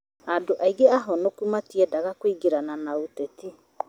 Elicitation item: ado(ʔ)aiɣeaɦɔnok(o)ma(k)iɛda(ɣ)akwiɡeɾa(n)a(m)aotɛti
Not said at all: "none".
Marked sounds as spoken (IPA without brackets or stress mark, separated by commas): ʔ, u, t, ɣ, n, n